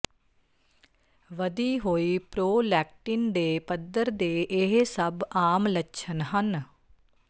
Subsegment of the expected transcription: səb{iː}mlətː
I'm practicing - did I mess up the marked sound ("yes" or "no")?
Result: yes